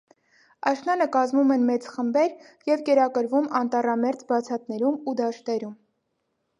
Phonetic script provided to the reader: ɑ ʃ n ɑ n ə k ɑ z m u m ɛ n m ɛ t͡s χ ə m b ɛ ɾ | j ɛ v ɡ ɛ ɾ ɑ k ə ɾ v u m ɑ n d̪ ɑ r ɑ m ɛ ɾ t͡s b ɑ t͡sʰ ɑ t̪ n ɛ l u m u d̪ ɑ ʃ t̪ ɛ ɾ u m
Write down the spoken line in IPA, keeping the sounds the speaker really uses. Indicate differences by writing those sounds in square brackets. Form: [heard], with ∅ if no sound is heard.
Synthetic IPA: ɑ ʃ n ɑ n ə k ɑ z m u m ɛ n m ɛ t͡s χ ə m b ɛ ɾ | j ɛ v [k] ɛ ɾ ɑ k ə ɾ v u m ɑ n [t̪] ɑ r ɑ m ɛ ɾ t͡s b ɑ t͡sʰ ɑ t̪ n ɛ [ɾ] u m u d̪ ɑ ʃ t̪ ɛ ɾ u m

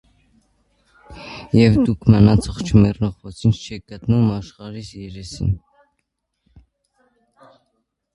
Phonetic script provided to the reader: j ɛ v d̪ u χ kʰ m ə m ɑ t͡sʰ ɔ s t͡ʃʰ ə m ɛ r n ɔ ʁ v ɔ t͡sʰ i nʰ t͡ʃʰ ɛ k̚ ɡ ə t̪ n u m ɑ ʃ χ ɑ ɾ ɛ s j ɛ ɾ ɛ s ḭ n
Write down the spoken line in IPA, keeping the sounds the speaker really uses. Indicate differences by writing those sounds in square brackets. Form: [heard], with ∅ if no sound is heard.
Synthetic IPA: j ɛ v d̪ u [∅] kʰ m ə [n] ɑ t͡sʰ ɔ [χ] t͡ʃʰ ə m ɛ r n ɔ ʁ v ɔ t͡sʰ i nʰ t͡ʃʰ ɛ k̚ ɡ ə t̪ n u m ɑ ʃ χ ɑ ɾ [i] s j ɛ ɾ ɛ s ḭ n

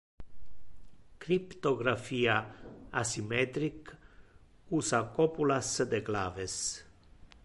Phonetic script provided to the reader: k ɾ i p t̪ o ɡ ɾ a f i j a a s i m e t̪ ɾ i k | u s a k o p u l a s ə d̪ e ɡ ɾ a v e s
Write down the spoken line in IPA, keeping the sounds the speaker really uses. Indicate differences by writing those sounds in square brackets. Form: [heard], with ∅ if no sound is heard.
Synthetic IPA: k ɾ i p t̪ o ɡ ɾ a f i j a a s i m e t̪ ɾ i k | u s a k o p u l a s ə d̪ e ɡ [l] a v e s

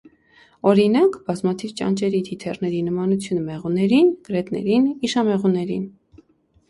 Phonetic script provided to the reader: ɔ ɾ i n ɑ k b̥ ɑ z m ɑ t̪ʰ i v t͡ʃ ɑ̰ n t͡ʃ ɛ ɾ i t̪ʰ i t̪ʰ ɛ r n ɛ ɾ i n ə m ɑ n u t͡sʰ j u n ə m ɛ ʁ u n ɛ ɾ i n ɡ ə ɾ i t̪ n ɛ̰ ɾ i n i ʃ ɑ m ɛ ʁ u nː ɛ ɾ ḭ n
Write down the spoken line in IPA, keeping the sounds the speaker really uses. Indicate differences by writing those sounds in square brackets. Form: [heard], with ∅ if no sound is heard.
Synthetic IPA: ɔ ɾ i n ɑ k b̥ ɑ z m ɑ t̪ʰ i v t͡ʃ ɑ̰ n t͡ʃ ɛ ɾ i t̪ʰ i t̪ʰ ɛ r n ɛ ɾ i n ə m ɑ n u t͡sʰ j u n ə m ɛ ʁ u n ɛ ɾ i n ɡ ə ɾ [ɛ] t̪ n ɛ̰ ɾ i n i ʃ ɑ m ɛ ʁ u [n] ɛ ɾ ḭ n

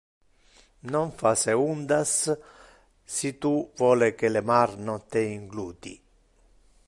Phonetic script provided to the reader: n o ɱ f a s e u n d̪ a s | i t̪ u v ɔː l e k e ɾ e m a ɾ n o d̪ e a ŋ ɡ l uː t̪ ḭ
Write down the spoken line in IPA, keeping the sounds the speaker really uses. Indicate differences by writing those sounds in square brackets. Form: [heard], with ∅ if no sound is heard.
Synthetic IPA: n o ɱ f a s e u n d̪ a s | i t̪ u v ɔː l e k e [l] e m a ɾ n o [t̪] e [i] ŋ ɡ l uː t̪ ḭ

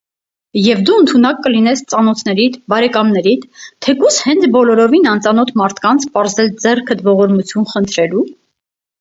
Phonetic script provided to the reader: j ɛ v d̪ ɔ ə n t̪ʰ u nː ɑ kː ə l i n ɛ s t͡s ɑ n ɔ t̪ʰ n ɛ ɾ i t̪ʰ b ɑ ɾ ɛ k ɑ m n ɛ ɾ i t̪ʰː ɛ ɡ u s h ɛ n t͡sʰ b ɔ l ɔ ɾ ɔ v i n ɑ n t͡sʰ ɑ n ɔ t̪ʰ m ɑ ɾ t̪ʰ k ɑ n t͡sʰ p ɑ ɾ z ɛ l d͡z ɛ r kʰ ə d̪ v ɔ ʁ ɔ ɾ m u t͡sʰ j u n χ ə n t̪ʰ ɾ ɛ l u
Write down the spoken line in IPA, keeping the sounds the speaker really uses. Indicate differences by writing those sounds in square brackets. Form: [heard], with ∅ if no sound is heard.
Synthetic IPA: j ɛ v d̪ [u] ə n t̪ʰ u [n] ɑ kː ə l i n ɛ s t͡s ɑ n ɔ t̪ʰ n ɛ ɾ i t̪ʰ b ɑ ɾ ɛ k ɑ m n ɛ ɾ i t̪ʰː ɛ [k] u s h ɛ n t͡sʰ b ɔ l ɔ ɾ ɔ v i n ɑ n [t͡s] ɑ n ɔ t̪ʰ m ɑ ɾ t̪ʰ k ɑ n t͡sʰ p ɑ ɾ z ɛ l d͡z ɛ r kʰ ə d̪ v ɔ ʁ ɔ ɾ m u t͡sʰ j u n χ ə n t̪ʰ ɾ ɛ l u

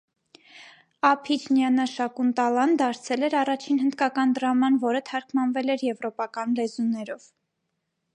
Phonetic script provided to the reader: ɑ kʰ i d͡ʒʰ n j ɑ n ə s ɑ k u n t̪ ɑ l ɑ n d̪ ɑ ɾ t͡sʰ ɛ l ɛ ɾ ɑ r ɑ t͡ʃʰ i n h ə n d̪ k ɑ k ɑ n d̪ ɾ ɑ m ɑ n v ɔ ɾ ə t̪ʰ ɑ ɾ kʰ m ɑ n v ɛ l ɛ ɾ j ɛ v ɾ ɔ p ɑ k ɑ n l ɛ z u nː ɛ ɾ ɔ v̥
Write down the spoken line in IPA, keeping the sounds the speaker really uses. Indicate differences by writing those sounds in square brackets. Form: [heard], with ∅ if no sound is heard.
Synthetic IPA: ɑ [pʰ] i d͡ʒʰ n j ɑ n ə [ʃ] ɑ k u n t̪ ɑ l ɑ n d̪ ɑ ɾ t͡sʰ ɛ l ɛ ɾ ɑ r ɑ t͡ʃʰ i n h ə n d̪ k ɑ k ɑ n d̪ ɾ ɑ m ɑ n v ɔ ɾ ə t̪ʰ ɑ ɾ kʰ m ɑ n v ɛ l ɛ ɾ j ɛ v ɾ ɔ p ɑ k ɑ n l ɛ z u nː ɛ ɾ ɔ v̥

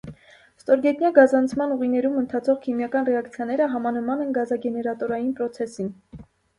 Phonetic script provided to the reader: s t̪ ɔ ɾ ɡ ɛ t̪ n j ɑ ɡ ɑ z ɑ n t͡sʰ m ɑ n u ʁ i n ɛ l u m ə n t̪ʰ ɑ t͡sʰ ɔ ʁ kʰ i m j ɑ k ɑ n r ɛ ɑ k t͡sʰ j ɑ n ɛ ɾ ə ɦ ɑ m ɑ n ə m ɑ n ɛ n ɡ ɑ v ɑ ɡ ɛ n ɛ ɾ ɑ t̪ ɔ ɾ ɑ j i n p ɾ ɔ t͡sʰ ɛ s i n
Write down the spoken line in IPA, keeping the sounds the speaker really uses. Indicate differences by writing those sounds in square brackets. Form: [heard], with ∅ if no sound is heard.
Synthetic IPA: s t̪ ɔ ɾ ɡ ɛ t̪ n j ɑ ɡ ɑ z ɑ n t͡sʰ m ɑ n u ʁ i n ɛ [ɾ] u m ə n t̪ʰ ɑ t͡sʰ ɔ ʁ kʰ i m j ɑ k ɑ n r ɛ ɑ k t͡sʰ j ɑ n ɛ ɾ ə ɦ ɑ m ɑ n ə m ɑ n ɛ n ɡ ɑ [z] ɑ ɡ ɛ n ɛ ɾ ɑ t̪ ɔ ɾ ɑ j i n p ɾ ɔ t͡sʰ ɛ s i n

